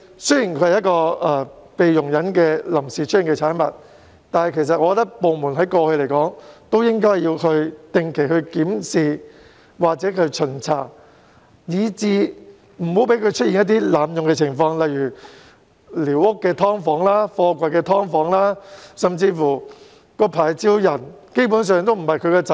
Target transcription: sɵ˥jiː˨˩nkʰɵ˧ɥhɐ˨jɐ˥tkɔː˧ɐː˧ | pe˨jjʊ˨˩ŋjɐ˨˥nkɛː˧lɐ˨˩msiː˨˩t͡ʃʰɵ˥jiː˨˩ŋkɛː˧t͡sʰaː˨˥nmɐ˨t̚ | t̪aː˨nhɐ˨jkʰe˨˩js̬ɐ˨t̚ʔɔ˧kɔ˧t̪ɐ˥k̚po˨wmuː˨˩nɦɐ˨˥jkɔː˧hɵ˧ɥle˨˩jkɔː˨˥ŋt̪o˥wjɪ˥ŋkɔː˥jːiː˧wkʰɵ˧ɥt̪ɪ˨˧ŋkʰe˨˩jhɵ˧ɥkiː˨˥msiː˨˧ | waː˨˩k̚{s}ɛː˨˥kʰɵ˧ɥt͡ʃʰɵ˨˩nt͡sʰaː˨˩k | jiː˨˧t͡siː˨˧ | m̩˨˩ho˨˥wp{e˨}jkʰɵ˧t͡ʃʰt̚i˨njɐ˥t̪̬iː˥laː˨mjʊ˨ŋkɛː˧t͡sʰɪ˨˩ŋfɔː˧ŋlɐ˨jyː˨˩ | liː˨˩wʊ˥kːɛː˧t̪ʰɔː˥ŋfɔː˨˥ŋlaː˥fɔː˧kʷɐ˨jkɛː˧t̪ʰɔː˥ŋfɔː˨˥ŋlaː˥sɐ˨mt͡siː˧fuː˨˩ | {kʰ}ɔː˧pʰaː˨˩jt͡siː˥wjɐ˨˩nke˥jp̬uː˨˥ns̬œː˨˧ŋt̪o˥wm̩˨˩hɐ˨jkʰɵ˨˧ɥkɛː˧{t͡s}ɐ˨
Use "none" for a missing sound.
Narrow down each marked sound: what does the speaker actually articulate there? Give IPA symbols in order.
t͡s, e˨˥, k, t͡s

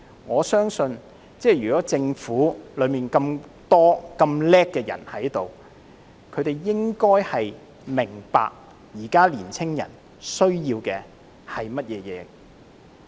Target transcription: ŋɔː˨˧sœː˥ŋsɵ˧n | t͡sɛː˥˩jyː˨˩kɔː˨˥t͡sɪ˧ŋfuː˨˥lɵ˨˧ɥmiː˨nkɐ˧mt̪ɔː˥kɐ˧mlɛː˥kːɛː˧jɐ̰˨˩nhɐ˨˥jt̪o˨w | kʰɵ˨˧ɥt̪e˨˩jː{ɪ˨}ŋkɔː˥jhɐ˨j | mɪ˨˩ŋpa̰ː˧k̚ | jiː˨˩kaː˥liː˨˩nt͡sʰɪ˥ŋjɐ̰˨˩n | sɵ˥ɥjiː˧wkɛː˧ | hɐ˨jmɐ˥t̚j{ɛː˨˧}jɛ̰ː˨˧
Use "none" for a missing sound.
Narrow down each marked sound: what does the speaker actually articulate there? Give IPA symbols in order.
ɪ˥, ɛː˨˧

